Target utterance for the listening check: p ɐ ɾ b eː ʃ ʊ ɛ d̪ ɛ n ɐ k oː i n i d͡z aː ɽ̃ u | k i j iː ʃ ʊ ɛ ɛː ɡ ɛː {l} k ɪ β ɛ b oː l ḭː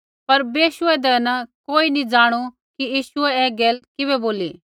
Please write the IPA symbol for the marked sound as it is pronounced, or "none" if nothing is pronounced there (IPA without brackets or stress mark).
l